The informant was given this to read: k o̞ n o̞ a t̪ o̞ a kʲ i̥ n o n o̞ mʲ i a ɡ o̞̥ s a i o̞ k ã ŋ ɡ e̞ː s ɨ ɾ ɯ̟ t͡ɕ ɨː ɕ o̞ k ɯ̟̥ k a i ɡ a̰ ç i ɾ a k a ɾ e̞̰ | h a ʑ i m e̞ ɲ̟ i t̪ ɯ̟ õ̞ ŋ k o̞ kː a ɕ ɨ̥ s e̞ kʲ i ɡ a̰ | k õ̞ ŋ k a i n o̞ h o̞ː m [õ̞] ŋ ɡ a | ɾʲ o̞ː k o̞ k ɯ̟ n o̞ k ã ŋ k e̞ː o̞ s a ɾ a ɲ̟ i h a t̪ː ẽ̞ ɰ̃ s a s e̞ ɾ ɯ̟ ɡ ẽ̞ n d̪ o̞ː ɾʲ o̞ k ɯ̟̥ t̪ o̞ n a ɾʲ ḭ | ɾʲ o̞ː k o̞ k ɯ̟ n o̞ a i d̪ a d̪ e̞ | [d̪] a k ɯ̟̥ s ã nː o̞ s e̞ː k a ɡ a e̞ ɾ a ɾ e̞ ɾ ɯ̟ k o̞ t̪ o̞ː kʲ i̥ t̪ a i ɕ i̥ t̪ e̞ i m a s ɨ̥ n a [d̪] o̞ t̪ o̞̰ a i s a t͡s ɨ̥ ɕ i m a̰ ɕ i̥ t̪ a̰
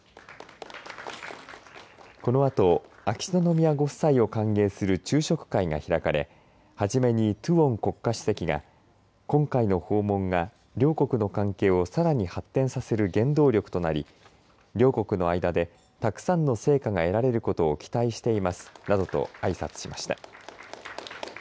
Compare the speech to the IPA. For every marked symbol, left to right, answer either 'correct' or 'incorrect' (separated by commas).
correct, incorrect, correct